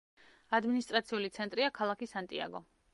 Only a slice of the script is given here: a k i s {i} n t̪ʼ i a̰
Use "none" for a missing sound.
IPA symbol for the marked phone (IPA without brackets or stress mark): a